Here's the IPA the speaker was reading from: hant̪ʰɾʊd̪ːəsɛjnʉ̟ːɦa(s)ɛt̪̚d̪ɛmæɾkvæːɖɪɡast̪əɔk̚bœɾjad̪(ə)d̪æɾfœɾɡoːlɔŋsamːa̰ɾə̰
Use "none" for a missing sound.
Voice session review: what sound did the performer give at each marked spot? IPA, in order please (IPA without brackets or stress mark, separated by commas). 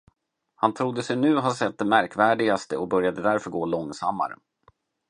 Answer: s, ə